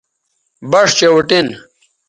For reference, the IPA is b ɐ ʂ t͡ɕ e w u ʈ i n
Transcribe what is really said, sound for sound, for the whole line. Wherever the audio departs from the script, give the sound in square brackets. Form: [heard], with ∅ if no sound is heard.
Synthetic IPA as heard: b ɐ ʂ t͡ɕ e w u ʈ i n